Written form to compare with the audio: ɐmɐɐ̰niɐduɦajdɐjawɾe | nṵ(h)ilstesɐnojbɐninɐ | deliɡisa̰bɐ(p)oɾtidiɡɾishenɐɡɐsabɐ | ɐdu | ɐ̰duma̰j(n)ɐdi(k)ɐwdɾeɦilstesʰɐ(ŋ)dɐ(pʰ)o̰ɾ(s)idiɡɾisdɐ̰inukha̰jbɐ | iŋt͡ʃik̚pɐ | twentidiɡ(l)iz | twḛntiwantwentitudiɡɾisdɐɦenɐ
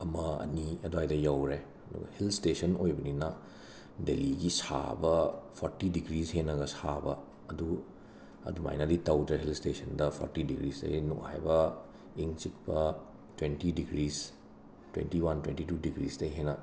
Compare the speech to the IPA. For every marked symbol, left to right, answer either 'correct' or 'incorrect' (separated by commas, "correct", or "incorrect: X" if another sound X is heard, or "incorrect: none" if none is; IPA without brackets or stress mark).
correct, incorrect: pʰ, correct, incorrect: t, incorrect: n, correct, incorrect: t, incorrect: ɾ